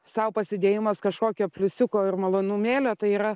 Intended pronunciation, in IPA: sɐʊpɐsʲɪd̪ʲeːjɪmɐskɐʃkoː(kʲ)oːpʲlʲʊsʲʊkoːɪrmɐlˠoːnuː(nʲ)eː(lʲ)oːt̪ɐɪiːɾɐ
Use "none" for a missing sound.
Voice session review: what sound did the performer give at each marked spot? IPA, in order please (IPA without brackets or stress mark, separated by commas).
kʲ, mʲ, lʲ